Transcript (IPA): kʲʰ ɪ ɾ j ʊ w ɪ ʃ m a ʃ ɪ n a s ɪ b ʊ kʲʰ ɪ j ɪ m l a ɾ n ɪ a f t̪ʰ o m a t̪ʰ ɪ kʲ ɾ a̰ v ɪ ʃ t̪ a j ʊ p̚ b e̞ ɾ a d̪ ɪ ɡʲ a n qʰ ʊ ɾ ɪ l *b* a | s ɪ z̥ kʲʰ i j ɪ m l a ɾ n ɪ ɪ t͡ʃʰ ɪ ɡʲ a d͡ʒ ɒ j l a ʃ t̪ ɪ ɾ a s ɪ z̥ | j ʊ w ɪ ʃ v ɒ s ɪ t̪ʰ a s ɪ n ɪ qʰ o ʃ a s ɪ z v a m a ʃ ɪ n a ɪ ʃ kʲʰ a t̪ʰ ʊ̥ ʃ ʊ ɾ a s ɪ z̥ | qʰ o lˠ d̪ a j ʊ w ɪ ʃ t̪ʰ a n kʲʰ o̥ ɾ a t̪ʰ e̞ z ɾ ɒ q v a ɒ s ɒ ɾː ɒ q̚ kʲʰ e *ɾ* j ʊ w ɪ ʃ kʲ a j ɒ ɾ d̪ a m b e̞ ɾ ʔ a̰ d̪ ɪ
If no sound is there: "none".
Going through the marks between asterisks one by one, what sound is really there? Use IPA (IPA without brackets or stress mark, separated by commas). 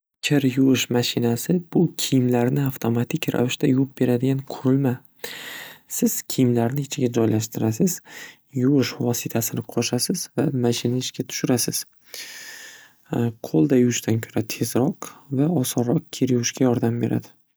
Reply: m, ɾ